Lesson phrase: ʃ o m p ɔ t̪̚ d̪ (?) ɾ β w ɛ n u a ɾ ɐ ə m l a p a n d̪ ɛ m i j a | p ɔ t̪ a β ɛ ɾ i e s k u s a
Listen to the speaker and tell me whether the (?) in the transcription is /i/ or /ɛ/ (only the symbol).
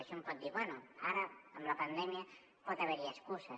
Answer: i